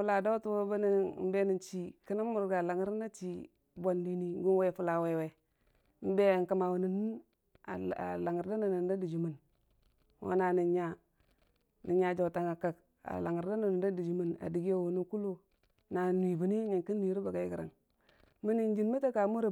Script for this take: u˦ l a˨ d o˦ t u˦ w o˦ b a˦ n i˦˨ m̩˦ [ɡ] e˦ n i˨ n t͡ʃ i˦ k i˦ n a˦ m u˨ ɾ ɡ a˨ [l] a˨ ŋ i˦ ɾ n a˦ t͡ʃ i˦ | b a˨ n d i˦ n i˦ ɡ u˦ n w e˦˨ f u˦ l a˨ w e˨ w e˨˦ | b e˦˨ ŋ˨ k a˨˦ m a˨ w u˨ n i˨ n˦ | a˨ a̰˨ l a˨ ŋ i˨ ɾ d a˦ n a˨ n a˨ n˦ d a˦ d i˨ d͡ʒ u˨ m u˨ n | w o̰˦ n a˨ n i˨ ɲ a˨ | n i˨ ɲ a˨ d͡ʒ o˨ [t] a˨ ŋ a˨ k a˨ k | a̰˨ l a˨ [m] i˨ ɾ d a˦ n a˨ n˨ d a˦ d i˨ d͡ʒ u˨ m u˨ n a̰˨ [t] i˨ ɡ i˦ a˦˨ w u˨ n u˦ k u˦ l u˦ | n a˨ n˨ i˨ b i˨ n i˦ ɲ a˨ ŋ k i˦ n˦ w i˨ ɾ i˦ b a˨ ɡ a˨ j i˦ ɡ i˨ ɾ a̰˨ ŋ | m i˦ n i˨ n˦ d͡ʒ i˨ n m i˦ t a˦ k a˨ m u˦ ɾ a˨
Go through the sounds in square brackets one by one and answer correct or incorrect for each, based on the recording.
incorrect, correct, correct, incorrect, incorrect

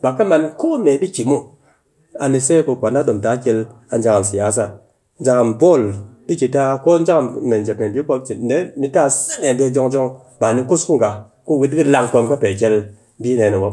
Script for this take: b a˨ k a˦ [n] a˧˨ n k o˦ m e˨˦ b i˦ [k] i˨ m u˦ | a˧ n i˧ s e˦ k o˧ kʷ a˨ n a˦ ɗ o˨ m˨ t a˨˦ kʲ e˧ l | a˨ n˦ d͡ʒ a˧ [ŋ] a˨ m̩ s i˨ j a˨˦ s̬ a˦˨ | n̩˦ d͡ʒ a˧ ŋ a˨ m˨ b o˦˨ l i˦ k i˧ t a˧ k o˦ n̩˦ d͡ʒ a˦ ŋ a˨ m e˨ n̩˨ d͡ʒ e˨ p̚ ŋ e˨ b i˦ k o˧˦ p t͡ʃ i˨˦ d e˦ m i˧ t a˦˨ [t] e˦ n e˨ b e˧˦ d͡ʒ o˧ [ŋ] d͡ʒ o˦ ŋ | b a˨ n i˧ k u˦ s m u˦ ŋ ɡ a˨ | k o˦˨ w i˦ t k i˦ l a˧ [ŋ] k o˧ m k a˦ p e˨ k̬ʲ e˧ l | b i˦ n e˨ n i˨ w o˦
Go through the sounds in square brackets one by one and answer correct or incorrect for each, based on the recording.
incorrect, correct, correct, incorrect, correct, correct

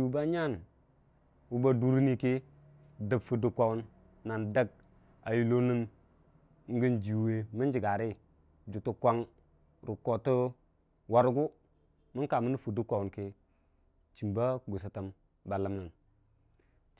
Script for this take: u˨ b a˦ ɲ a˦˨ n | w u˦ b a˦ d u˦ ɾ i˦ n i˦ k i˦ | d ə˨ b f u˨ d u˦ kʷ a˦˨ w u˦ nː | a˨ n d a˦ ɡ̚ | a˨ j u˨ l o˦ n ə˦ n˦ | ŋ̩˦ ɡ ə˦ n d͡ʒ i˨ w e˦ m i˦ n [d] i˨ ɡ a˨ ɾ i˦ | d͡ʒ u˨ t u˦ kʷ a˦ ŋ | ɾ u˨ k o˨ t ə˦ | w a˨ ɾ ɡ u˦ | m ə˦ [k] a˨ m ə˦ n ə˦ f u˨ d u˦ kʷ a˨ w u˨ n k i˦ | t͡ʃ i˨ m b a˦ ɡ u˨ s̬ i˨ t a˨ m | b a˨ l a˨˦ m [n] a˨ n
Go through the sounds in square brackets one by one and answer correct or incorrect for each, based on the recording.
incorrect, correct, correct

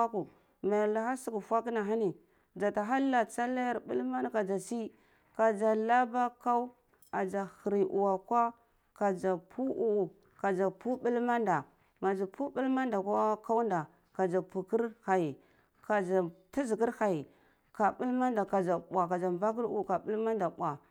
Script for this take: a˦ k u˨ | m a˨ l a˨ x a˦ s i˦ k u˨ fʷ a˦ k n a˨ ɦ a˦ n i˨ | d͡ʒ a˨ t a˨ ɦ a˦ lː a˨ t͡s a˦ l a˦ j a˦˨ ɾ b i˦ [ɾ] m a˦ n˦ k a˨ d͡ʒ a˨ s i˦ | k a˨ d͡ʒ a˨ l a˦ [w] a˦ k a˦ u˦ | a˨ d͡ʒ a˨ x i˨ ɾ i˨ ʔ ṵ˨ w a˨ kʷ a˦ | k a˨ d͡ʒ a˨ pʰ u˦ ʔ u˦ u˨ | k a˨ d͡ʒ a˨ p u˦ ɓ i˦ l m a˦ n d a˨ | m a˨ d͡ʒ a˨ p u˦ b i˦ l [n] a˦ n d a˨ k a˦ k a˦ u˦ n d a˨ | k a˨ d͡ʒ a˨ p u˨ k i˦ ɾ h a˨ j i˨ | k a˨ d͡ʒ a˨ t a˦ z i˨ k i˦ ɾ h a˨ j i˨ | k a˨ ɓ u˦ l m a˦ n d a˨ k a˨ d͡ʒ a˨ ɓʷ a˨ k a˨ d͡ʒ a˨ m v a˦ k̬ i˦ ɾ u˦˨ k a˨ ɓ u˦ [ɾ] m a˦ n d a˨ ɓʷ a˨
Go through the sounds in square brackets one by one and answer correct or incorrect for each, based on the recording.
incorrect, incorrect, incorrect, incorrect

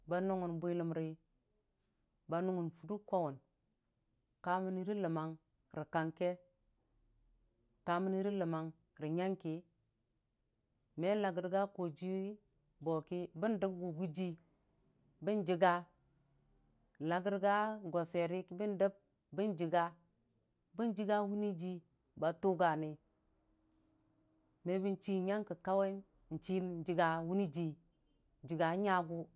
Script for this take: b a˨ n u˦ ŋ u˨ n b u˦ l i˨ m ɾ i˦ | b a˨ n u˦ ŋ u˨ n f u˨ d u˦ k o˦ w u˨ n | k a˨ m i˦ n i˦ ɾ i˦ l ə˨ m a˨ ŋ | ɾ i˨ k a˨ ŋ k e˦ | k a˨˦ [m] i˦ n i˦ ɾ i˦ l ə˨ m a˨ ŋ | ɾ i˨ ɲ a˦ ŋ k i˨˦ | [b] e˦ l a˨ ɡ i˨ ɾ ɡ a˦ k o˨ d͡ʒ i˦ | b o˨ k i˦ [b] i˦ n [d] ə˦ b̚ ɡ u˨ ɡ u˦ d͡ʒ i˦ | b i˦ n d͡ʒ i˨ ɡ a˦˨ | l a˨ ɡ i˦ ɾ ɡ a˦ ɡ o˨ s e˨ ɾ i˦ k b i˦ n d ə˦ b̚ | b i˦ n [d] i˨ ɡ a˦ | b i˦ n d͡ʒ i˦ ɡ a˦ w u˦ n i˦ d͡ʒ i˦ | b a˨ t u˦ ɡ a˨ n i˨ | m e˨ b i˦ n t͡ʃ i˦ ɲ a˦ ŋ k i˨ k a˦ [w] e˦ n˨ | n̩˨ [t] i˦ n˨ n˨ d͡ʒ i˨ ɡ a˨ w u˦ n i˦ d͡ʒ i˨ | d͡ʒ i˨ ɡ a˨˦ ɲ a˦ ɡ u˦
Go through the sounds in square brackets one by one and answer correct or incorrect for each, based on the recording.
correct, incorrect, correct, correct, incorrect, correct, incorrect

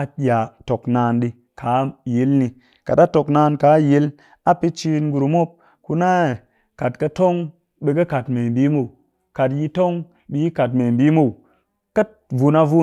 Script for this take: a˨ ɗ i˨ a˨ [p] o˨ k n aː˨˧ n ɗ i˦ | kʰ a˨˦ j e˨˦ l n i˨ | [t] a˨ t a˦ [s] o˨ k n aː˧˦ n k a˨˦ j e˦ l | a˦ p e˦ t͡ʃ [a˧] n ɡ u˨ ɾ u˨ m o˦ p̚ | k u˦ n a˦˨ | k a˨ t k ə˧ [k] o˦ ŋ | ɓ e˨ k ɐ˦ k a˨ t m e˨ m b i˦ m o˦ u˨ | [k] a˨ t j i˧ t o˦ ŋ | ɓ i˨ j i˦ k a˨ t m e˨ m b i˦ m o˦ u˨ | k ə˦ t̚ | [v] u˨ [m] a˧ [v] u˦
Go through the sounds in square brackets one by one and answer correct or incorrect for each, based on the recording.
incorrect, incorrect, incorrect, incorrect, incorrect, correct, correct, incorrect, correct

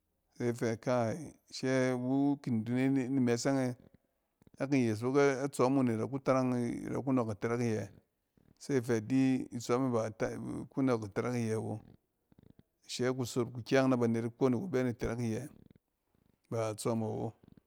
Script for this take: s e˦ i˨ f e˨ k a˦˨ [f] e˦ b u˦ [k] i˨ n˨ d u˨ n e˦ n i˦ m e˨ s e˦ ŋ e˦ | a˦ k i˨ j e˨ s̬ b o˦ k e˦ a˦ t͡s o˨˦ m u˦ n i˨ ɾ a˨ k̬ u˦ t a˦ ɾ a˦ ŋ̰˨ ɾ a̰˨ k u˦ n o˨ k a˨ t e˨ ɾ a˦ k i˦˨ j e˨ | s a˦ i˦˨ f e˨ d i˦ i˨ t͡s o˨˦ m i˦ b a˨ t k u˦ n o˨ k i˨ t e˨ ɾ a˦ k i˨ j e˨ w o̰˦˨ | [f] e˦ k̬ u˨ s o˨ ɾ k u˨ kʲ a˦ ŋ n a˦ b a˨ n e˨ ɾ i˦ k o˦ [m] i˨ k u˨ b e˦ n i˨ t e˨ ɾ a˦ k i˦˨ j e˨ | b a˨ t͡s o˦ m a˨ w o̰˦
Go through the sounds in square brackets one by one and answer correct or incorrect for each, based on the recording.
incorrect, correct, incorrect, incorrect

